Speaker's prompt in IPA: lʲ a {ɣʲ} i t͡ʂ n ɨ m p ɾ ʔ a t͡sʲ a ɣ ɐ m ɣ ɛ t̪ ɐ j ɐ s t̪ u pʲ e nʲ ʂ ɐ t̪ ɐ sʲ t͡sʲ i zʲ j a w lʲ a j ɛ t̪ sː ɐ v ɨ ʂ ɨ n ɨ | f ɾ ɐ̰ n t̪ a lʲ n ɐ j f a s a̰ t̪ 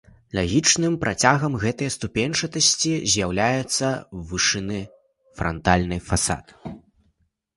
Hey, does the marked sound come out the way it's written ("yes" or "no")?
yes